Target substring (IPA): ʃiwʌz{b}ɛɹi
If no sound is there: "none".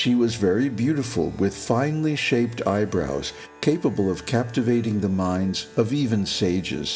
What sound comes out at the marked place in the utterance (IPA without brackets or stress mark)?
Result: v